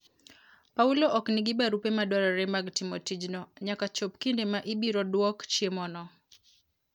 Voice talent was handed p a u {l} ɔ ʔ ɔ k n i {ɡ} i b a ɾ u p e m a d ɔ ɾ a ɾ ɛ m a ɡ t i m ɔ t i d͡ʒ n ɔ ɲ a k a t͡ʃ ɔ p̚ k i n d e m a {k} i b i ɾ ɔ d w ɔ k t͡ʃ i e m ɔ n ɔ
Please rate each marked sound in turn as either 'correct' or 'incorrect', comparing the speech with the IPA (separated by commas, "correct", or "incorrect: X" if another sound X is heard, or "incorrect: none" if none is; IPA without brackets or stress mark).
correct, correct, incorrect: ʔ